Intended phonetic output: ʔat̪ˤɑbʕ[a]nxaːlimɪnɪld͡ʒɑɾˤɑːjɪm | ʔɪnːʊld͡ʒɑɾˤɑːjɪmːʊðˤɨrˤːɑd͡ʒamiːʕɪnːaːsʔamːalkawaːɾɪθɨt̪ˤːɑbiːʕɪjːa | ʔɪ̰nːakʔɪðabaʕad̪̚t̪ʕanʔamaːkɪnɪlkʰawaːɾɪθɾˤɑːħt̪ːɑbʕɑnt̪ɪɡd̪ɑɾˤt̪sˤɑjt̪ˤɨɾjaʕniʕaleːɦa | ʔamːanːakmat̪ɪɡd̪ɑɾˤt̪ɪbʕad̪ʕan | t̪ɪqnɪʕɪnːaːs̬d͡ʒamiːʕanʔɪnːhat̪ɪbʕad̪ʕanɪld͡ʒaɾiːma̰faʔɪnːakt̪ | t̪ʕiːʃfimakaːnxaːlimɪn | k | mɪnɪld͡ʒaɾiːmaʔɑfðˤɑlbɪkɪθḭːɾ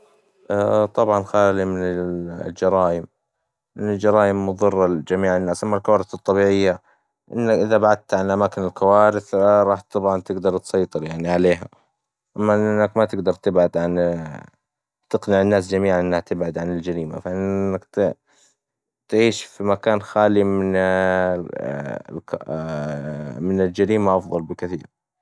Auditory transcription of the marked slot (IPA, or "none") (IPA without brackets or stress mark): ɑ